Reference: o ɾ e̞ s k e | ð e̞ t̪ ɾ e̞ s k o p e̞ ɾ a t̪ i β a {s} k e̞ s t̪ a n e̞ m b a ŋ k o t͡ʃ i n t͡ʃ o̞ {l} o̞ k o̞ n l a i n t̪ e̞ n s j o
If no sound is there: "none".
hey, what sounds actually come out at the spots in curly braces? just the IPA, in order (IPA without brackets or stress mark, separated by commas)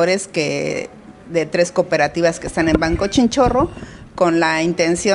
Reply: s, r